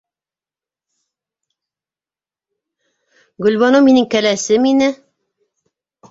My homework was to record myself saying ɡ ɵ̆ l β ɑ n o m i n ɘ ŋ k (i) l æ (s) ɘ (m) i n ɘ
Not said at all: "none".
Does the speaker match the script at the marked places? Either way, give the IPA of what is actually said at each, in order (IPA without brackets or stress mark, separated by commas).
æ, s, m